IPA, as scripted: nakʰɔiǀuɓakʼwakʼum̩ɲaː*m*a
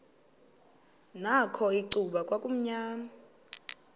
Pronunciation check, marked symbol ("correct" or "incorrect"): correct